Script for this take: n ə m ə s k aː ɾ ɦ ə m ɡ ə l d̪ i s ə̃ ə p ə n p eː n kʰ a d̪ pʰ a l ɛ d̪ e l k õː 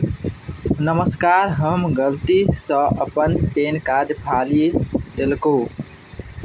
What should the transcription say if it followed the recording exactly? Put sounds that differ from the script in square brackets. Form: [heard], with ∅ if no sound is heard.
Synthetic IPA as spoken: n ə m ə s k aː ɾ ɦ ə m ɡ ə l [t̪] i s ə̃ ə p ə n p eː n [k] a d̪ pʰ a l [i] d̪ e l k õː